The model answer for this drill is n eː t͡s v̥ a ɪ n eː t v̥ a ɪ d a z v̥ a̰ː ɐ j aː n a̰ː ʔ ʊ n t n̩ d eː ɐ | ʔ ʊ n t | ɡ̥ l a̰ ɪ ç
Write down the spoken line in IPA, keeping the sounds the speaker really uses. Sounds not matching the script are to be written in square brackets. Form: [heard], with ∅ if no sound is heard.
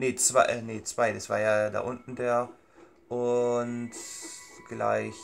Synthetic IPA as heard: n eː t͡s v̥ a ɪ n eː [t͡s] v̥ a ɪ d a [s] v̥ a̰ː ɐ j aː [d] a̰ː ʔ ʊ n t n̩ d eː ɐ | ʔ ʊ n t | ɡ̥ l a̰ ɪ ç